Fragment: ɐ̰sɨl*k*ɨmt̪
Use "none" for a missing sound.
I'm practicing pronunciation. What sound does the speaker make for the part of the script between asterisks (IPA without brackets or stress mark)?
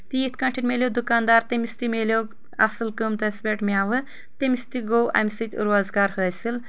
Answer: k